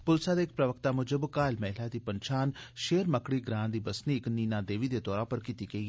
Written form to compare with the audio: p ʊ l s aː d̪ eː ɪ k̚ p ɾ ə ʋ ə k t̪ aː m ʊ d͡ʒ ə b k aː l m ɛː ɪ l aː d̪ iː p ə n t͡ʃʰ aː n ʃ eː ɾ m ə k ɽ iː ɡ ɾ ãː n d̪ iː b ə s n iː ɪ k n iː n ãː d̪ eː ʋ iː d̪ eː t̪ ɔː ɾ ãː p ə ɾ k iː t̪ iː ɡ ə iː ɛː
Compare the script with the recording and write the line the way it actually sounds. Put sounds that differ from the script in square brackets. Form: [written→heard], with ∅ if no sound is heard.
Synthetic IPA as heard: p ʊ l s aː d̪ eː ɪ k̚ p ɾ ə ʋ ə k t̪ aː m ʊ d͡ʒ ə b k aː l m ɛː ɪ l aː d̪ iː p ə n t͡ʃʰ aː n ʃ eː ɾ m ə k ɽ iː ɡ ɾ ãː n d̪ iː b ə s n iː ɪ k n iː n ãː d̪ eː ʋ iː d̪ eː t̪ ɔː ɾ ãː p ə ɾ k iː t̪ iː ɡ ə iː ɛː